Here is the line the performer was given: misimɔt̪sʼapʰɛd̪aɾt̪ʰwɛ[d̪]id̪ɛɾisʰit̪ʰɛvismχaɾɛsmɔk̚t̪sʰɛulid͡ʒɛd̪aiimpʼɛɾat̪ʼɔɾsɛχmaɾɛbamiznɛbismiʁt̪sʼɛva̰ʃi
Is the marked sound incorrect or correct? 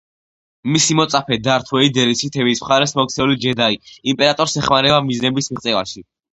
incorrect